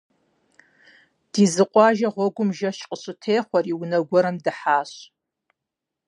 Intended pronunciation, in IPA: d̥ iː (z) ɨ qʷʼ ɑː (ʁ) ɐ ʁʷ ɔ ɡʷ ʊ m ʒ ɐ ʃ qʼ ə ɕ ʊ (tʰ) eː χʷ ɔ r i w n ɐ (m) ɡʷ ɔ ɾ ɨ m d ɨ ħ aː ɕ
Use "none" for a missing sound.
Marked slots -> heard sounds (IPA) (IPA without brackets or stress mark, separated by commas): z, ʒ, tʰ, none